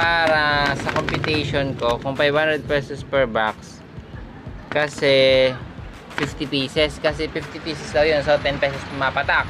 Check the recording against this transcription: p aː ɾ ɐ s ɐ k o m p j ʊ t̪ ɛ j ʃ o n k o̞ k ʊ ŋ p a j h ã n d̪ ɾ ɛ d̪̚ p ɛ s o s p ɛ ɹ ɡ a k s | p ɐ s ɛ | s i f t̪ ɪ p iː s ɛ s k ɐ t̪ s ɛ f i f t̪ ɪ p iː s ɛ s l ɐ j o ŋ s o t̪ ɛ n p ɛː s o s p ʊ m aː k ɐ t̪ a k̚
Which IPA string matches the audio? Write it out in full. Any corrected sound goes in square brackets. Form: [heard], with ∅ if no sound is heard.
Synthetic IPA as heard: p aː ɾ ɐ s ɐ k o m p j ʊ t̪ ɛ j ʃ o n k o̞ k ʊ ŋ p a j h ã n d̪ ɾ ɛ d̪̚ p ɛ s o s p ɛ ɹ [b] a k s | [k] ɐ s ɛ | [f] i f t̪ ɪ p iː s ɛ s k ɐ [∅] s ɛ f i f t̪ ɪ p iː s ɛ s l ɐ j o [n] s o t̪ ɛ n p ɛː s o s p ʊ m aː [p] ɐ t̪ a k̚